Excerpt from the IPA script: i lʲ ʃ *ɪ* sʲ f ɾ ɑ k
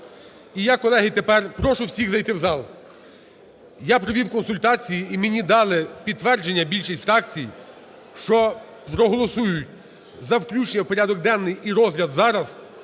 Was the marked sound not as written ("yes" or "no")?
yes